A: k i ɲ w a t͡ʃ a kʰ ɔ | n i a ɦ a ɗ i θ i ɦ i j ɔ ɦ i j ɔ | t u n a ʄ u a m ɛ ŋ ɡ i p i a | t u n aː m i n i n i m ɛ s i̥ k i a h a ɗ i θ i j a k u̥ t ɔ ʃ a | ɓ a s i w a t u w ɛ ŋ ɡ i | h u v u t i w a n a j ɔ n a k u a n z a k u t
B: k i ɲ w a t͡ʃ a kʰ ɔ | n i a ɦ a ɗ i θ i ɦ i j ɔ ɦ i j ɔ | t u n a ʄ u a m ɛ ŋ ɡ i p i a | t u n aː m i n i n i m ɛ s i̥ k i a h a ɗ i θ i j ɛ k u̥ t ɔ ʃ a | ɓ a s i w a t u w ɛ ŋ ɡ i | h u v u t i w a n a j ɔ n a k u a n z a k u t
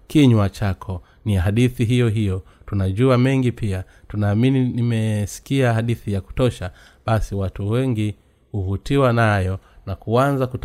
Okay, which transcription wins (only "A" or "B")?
A